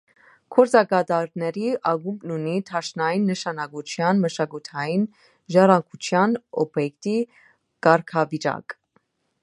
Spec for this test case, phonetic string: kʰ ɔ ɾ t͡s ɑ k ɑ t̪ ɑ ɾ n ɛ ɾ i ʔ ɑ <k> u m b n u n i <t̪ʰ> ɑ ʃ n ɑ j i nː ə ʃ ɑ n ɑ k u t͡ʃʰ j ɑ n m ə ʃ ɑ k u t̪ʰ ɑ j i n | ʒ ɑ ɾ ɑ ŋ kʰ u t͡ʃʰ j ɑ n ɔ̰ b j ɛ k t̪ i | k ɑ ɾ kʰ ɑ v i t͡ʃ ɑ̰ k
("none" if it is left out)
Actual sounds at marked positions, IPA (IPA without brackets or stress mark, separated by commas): ɡ, t̪ʰ